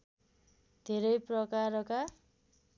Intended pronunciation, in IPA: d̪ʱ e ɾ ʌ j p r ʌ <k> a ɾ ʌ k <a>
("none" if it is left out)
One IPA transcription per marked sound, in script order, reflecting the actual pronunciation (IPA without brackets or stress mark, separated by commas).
k, a